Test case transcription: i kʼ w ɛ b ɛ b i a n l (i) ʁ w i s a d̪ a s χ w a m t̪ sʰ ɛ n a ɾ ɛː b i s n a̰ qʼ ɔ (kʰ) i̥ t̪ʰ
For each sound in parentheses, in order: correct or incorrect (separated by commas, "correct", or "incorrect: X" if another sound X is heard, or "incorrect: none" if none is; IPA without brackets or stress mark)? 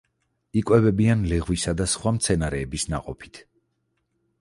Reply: incorrect: ɛ, incorrect: pʰ